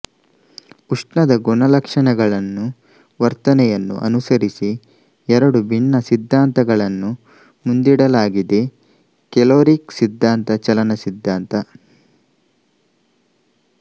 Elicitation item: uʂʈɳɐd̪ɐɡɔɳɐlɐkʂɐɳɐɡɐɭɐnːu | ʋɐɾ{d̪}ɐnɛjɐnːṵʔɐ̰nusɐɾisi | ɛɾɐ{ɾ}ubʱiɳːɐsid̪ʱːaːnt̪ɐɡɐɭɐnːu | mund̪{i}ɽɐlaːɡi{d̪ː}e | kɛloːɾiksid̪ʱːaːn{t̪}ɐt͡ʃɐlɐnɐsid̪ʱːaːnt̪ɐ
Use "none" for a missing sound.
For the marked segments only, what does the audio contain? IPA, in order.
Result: t̪, ɽ, i, d̪, t̪

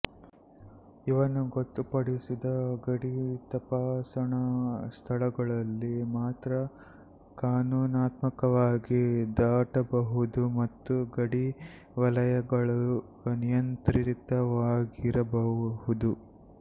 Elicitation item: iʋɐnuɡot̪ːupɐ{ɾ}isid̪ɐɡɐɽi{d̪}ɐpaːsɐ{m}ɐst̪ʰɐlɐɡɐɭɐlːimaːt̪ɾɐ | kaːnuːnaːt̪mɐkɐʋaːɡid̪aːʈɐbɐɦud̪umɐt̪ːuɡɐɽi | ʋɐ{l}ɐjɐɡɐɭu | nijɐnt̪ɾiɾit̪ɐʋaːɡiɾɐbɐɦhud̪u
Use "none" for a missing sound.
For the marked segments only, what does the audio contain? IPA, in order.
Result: ɽ, t̪, ɳ, l

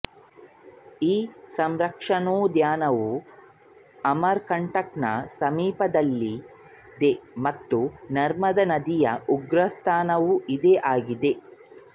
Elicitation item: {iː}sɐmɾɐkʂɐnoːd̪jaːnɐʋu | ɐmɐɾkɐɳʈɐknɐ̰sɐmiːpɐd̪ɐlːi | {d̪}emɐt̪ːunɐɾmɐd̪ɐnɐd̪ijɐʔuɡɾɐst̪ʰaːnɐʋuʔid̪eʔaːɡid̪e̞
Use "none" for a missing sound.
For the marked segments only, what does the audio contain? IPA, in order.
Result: iː, d̪

